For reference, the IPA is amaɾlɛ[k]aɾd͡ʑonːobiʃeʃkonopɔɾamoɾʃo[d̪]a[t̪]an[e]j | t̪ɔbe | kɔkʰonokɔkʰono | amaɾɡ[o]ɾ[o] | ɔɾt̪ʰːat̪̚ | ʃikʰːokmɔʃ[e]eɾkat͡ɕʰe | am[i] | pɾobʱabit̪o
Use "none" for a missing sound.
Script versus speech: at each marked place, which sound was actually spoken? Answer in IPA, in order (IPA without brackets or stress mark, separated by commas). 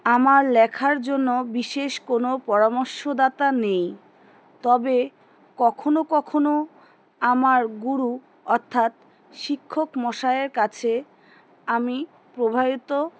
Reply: kʰ, d̪, t̪, e, u, u, a, i